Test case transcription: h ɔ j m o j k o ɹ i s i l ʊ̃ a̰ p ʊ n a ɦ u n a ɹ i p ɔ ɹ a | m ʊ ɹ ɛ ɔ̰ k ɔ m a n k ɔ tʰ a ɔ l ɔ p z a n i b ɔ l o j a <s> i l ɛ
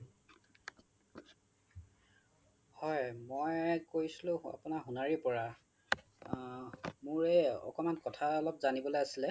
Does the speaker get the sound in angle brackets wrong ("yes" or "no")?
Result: no